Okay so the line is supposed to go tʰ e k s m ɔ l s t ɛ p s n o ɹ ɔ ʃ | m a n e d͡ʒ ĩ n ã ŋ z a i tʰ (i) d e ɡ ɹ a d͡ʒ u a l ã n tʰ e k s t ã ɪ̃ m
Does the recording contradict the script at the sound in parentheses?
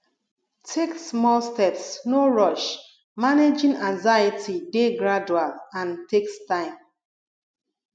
no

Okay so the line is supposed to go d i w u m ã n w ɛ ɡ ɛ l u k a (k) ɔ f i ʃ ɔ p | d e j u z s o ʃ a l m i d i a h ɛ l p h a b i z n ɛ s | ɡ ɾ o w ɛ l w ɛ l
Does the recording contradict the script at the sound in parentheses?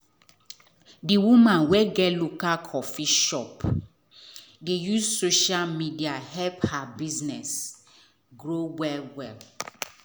yes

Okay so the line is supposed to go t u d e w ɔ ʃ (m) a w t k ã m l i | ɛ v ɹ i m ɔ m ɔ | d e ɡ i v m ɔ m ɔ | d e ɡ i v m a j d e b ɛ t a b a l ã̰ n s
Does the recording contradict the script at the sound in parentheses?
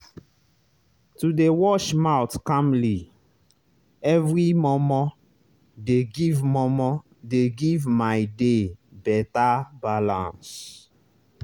no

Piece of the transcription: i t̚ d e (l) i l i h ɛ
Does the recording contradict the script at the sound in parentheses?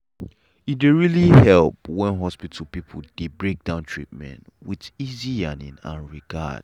yes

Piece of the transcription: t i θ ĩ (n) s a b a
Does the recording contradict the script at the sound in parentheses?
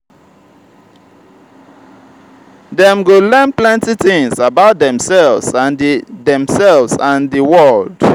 yes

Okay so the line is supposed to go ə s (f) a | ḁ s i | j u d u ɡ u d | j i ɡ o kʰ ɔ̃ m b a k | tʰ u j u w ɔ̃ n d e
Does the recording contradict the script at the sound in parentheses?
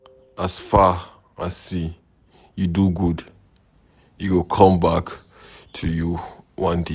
no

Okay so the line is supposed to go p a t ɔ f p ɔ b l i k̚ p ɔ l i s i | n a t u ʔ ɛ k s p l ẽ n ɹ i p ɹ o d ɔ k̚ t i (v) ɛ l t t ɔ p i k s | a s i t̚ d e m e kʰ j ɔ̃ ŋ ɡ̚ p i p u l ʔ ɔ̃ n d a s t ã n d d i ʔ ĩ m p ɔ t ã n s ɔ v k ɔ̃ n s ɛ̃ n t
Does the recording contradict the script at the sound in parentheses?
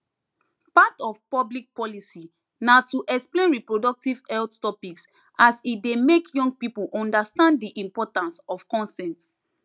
no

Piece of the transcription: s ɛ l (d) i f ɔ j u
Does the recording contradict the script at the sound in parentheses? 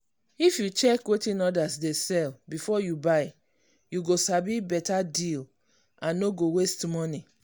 yes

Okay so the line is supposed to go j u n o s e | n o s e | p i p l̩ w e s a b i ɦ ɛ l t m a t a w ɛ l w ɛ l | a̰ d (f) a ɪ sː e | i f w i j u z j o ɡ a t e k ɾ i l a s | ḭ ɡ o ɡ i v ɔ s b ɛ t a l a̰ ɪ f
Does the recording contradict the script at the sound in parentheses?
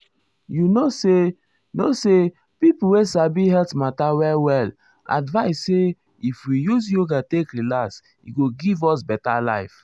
yes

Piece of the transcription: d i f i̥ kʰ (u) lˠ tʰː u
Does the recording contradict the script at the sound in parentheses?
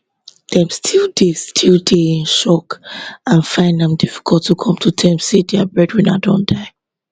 yes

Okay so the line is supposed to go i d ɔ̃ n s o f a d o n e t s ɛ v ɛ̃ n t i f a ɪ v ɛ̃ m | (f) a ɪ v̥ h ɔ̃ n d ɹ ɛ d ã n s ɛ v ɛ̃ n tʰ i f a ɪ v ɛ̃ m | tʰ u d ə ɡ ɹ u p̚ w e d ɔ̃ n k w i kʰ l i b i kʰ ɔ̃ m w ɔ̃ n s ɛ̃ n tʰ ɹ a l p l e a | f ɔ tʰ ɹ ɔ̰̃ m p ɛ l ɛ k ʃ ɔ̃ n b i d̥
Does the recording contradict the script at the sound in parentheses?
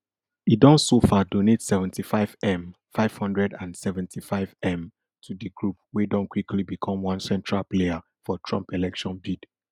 no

